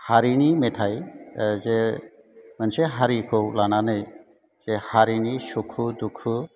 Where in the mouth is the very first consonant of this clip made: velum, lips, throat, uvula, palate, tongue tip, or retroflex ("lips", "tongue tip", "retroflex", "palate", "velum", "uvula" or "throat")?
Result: throat